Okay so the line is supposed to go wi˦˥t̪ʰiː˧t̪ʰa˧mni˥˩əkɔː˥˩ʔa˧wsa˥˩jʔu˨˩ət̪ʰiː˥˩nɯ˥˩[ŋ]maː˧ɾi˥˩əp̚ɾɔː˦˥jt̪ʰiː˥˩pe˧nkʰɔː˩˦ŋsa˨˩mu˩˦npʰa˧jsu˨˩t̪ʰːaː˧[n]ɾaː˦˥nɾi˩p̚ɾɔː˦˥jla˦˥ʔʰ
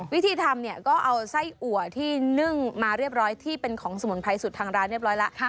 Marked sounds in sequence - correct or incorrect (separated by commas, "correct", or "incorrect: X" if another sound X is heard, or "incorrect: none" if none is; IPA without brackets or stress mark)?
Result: correct, incorrect: ŋ